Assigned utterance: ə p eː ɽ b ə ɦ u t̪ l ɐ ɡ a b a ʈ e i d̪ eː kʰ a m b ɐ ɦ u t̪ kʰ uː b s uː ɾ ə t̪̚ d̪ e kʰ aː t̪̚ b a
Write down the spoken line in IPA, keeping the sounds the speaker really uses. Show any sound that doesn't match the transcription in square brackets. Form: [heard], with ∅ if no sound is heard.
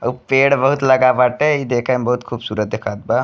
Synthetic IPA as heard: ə p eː ɽ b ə ɦ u t̪ l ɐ ɡ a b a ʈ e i d̪ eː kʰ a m b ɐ ɦ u t̪ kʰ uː b s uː ɾ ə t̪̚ d̪ e kʰ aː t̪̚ b a